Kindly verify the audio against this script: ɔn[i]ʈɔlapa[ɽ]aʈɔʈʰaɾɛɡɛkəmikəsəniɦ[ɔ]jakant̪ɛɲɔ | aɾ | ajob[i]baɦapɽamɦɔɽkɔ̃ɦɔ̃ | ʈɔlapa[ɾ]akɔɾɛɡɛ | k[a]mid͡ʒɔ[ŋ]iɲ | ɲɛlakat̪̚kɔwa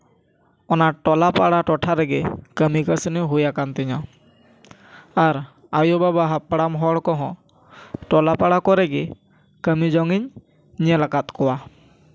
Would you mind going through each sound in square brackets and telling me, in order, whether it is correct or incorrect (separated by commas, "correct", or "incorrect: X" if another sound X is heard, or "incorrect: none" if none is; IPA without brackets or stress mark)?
incorrect: a, correct, incorrect: u, incorrect: a, incorrect: ɽ, incorrect: ə, correct